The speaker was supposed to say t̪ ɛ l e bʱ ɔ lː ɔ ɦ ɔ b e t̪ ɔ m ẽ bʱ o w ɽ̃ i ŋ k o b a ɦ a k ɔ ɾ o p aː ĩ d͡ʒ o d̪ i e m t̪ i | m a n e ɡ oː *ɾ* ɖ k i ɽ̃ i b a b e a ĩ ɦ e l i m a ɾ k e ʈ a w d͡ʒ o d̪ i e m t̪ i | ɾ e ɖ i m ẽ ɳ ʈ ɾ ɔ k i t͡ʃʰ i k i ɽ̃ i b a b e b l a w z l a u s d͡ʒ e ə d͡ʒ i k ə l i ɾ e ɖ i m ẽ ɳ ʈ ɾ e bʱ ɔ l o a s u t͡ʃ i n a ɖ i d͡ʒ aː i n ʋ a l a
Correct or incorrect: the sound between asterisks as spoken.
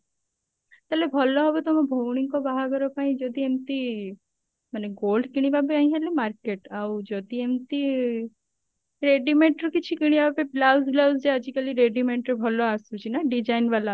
incorrect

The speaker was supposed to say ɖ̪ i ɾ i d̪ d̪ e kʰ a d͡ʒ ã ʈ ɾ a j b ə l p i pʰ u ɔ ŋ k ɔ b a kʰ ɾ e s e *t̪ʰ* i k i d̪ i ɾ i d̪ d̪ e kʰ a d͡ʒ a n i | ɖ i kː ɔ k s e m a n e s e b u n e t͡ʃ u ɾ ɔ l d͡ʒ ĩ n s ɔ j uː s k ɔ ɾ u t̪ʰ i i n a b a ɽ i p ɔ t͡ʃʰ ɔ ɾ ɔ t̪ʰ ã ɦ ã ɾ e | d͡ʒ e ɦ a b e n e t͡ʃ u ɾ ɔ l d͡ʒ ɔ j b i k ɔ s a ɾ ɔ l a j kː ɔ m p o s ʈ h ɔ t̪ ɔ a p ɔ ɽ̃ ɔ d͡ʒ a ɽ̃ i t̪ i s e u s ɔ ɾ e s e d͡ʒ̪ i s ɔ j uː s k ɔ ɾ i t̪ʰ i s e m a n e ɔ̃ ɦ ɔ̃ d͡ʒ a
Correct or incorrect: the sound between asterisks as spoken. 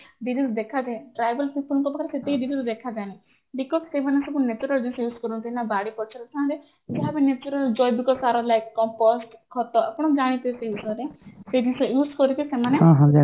incorrect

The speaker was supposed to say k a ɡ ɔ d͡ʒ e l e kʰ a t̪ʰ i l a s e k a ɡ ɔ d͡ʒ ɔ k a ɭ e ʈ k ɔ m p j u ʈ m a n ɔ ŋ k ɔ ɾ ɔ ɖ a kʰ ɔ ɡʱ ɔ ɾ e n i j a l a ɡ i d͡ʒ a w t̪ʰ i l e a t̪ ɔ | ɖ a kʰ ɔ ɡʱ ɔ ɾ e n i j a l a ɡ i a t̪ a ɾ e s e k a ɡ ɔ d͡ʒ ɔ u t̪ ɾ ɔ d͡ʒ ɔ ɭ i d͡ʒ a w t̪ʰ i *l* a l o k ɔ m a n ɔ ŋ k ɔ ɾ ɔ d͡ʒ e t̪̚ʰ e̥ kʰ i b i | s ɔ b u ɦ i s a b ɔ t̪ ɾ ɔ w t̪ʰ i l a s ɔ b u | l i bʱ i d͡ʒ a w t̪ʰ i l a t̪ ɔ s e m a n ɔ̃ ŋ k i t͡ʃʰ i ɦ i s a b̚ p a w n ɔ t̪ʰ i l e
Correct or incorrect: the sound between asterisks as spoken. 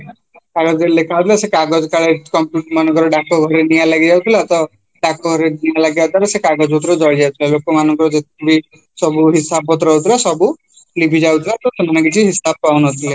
correct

